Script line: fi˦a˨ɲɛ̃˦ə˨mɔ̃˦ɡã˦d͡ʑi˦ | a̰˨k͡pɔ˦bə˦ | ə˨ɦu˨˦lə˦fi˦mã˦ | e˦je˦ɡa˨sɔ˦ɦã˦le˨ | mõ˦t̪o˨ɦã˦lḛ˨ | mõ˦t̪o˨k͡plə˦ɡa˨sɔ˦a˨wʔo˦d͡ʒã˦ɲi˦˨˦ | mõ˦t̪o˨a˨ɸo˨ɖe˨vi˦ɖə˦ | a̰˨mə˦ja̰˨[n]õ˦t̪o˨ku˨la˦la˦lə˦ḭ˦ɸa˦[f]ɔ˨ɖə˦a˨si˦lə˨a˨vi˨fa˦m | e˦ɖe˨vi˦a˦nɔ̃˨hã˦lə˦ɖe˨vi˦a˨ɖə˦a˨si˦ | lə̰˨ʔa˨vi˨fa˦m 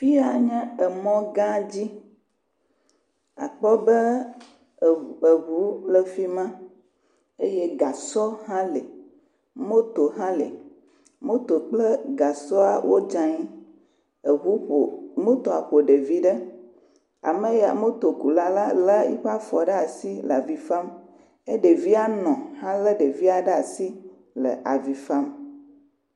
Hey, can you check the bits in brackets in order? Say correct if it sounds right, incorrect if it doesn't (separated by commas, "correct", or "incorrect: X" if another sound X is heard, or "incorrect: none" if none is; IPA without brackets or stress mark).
incorrect: m, correct